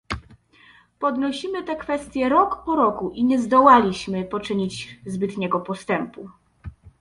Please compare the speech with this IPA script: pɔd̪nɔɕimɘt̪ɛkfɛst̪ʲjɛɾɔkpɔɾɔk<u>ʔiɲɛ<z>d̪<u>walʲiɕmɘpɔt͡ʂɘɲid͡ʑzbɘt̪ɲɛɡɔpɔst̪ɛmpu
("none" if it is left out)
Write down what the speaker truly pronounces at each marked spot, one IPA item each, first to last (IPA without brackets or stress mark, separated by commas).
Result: u, z, ɔ